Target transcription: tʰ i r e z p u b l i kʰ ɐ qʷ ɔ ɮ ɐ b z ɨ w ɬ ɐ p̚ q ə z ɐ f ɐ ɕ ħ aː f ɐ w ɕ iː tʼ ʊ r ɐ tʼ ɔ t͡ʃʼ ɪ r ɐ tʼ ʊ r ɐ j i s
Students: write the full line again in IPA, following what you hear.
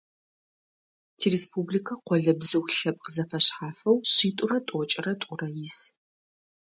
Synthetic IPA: tʰ i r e s p u b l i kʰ ɐ qʷ ɔ ɮ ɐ b z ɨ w ɬ ɐ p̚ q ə z ɐ f ɐ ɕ ħ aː f ɐ w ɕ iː tʼ ʊ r ɐ tʼ ɔ t͡ʃʼ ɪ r ɐ tʼ ʊ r ɐ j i s